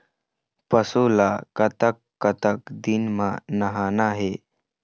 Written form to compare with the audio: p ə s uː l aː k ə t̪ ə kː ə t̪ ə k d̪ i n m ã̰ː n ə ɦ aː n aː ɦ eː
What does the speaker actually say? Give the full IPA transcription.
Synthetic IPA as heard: p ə s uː l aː k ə t̪ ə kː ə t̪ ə k d̪ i n m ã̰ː n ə ɦ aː n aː ɦ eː